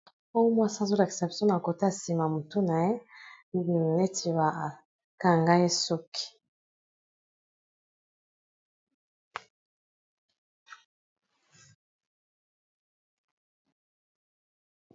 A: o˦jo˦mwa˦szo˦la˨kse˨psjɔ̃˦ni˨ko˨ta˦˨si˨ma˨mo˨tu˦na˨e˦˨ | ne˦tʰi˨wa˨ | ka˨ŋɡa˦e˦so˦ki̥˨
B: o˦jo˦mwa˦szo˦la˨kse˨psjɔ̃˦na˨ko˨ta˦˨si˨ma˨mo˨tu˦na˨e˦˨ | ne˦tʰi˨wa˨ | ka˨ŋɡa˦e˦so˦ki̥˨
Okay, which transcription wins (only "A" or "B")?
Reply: B